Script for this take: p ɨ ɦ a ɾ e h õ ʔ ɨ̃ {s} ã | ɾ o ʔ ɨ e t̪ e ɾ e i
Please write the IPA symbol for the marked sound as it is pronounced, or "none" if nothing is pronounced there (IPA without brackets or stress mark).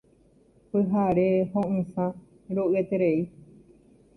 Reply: s